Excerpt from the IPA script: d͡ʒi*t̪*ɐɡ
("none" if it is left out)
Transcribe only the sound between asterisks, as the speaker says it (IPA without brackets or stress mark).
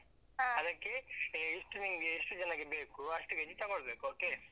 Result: t̪